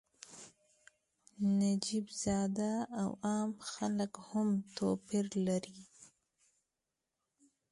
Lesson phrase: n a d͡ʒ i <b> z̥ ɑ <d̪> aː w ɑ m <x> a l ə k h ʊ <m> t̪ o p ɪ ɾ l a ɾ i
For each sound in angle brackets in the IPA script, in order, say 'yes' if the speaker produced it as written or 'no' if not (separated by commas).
yes, yes, yes, yes